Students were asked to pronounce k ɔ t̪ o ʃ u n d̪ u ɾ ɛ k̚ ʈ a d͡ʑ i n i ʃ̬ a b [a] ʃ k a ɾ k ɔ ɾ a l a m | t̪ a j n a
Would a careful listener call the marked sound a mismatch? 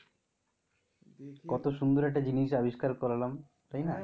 yes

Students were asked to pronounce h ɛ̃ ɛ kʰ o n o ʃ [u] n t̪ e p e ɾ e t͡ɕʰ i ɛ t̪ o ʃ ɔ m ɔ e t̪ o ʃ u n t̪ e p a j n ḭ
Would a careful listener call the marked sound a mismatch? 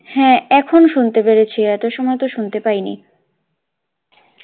no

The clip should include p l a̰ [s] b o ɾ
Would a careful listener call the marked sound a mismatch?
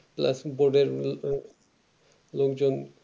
no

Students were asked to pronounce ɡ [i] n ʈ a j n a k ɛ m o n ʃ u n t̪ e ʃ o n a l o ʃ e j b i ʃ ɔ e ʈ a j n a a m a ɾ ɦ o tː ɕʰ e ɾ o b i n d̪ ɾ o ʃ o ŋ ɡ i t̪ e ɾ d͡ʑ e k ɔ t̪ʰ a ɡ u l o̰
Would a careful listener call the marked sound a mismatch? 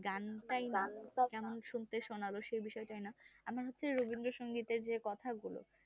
yes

